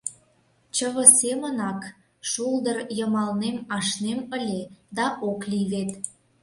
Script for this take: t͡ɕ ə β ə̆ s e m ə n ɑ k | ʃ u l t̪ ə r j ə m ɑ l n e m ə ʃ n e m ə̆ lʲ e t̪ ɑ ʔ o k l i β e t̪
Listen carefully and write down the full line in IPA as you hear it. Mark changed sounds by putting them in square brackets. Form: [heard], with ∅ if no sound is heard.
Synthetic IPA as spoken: t͡ɕ ə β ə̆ s e m ə n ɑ k | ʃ u l [d̪] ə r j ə m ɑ l n e m [ɑ] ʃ n e m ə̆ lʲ e [d̪] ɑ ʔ o k l i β e t̪